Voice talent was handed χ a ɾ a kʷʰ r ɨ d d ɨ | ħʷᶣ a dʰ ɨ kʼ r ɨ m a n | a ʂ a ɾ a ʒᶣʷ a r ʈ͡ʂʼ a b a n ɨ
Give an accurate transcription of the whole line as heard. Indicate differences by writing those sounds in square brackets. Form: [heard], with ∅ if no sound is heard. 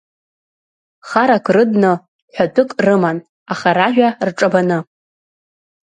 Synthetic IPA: χ a ɾ a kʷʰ r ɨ d [n] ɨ | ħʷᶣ a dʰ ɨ kʼ r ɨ m a n | a [χ] a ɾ a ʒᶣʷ a r ʈ͡ʂʼ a b a n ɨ